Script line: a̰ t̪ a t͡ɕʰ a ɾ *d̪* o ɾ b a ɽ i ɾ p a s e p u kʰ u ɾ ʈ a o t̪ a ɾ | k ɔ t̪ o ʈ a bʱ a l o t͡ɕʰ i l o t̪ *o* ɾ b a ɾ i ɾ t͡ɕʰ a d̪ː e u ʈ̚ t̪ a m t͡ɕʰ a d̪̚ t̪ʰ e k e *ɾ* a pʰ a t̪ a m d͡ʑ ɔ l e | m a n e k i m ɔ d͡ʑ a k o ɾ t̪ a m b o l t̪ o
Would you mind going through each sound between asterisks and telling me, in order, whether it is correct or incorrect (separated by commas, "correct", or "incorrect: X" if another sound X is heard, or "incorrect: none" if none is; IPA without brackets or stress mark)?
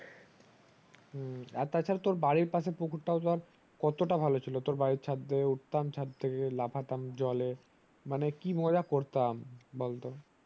incorrect: t̪, correct, incorrect: l